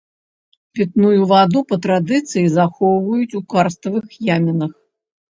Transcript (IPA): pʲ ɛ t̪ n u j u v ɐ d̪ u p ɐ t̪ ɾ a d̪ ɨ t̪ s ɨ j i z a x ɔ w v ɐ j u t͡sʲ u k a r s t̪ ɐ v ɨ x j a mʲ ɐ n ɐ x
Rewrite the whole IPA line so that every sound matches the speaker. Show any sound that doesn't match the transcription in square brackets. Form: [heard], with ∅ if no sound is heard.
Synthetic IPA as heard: pʲ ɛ t̪ n u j u v [a] d̪ u p ɐ t̪ ɾ a d̪ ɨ t̪ s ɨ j i z a x ɔ w v ɐ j u t͡sʲ u k a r s t̪ ɐ v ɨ x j a mʲ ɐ n ɐ x